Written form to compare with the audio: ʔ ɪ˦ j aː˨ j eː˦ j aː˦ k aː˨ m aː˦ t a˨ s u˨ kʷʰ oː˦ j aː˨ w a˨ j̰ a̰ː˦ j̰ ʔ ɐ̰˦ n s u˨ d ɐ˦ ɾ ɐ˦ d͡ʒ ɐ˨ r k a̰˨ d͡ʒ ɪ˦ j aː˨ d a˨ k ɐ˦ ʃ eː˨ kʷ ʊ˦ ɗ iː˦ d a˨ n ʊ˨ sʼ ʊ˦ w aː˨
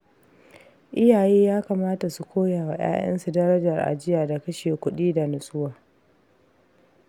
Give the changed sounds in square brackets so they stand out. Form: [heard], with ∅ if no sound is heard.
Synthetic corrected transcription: ʔ ɪ˦ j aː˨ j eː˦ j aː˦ k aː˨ m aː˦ t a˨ s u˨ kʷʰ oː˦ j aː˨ w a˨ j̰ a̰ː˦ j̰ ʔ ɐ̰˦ n s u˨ d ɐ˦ ɾ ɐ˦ d͡ʒ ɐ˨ r [ʔ] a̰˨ d͡ʒ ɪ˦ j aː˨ d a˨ k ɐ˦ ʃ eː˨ kʷ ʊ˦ ɗ iː˦ d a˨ n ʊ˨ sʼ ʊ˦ w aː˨

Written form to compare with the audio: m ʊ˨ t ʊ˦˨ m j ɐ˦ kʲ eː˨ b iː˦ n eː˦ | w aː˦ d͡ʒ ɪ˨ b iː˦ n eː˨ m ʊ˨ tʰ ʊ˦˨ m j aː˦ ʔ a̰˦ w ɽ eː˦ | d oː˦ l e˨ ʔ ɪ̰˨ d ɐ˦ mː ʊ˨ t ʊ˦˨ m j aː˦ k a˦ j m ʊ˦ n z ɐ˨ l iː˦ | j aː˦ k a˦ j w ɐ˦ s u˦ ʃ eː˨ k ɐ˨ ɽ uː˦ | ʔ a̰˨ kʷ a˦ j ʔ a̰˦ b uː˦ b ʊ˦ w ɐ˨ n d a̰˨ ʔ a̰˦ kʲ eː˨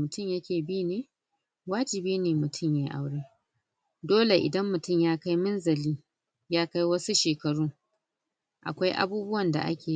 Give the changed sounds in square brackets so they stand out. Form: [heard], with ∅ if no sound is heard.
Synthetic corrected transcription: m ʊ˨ t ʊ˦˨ m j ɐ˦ kʲ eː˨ b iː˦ n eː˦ | w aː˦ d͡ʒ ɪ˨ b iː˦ n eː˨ m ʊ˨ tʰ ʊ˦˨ m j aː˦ ʔ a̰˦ w ɽ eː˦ | d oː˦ l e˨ ʔ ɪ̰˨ d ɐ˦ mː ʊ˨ t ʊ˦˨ m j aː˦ k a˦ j m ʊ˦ n z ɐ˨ l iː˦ | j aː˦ k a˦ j w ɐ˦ s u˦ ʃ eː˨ k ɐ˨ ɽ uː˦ | ʔ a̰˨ kʷ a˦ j ʔ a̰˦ b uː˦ b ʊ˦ w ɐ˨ n d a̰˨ ʔ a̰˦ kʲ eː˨

